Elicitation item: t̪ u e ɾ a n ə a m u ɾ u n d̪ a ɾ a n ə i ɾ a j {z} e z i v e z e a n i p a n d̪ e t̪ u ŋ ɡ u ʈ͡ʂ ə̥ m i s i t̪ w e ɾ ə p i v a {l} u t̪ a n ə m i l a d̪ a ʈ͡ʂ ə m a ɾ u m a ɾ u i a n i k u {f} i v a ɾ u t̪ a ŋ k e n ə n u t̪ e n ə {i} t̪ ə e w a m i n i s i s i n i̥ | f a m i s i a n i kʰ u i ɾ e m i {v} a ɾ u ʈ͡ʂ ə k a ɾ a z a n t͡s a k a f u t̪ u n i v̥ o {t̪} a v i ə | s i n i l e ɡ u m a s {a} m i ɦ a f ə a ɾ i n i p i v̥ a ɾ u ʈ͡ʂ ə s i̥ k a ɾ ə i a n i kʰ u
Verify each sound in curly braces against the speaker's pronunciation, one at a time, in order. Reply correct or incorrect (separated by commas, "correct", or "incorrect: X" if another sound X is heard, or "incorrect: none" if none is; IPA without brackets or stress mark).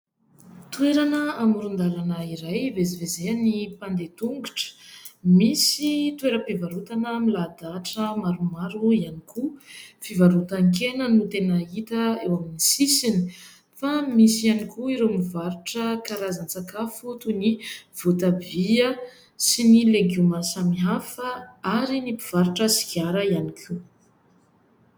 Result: incorrect: v, incorrect: ɾ, correct, correct, correct, correct, correct